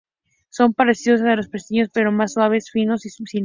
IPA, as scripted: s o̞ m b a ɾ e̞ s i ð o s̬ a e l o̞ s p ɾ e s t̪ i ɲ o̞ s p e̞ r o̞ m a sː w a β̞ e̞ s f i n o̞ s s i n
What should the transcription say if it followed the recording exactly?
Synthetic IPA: s o̞ m p a ɾ e̞ s i ð o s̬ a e l o̞ s p ɾ e s t̪ i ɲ o̞ s p e̞ ɾ o̞ m a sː w a β̞ e̞ s f i n o̞ s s i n